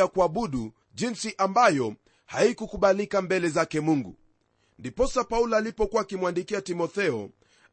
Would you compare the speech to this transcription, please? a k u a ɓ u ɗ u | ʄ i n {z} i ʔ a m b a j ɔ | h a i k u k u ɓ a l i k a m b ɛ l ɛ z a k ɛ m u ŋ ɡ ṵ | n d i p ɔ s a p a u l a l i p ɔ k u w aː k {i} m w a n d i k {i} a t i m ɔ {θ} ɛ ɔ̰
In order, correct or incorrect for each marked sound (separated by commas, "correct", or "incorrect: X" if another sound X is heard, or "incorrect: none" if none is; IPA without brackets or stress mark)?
incorrect: s, correct, correct, correct